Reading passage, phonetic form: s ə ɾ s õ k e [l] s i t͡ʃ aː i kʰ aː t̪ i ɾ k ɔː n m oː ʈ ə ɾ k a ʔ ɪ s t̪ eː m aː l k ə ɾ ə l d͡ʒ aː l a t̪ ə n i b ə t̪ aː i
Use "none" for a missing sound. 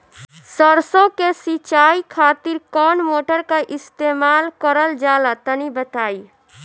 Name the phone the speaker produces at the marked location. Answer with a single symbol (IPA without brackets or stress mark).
none